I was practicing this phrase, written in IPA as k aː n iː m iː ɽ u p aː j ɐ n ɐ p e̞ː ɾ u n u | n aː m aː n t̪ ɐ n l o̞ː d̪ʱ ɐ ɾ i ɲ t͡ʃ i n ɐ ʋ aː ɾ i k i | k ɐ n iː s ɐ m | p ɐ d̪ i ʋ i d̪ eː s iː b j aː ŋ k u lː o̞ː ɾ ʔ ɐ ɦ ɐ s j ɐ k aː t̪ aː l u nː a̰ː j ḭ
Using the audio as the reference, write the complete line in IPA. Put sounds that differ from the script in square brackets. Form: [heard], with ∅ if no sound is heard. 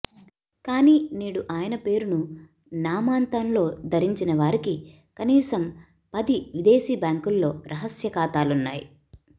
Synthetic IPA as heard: k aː n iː [n] iː ɽ u [ʔ] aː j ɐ n ɐ p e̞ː ɾ u n u | n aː m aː n t̪ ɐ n l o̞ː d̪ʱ ɐ ɾ i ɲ t͡ʃ i n ɐ ʋ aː ɾ i k i | k ɐ n iː s ɐ m | p ɐ d̪ i ʋ i d̪ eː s iː b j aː ŋ k u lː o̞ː ɾ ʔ ɐ ɦ ɐ s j ɐ k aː t̪ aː l u nː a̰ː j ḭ